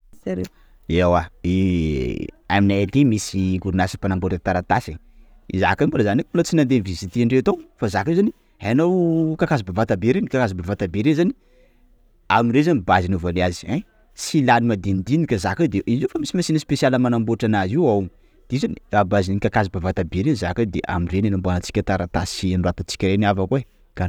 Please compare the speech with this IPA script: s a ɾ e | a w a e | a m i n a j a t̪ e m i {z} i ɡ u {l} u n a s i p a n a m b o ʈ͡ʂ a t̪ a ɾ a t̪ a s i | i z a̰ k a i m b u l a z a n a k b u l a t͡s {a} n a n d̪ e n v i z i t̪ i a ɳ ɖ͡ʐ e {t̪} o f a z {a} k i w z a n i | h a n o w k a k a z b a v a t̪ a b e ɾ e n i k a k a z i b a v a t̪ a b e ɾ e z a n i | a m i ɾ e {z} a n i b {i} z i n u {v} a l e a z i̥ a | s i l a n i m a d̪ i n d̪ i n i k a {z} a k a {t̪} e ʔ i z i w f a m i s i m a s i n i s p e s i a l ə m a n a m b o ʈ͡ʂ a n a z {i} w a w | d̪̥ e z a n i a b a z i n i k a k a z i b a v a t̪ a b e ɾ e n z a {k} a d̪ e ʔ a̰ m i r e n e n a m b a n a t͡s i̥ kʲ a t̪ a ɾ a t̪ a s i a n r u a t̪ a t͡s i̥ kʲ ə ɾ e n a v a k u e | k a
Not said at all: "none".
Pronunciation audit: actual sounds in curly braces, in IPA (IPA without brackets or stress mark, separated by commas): s, ɾ, i, t̪, a, z, a, v, z, d̪, i, k